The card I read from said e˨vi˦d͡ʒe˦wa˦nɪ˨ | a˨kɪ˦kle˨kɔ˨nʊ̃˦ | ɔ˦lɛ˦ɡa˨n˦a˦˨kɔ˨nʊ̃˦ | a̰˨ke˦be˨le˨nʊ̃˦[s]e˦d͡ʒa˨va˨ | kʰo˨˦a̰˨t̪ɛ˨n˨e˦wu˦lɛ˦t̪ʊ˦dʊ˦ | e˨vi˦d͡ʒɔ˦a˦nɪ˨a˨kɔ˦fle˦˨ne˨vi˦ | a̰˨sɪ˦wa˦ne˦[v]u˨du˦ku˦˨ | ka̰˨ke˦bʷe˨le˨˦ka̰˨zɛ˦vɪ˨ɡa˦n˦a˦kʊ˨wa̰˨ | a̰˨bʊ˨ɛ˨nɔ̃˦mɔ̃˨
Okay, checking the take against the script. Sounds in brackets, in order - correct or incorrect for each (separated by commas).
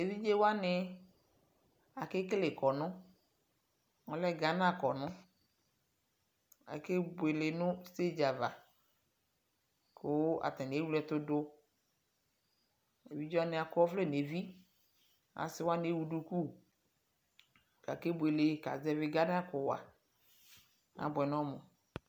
correct, incorrect